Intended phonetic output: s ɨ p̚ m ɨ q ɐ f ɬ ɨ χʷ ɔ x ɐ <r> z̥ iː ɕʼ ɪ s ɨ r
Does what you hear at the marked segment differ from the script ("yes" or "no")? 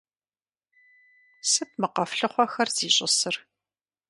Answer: no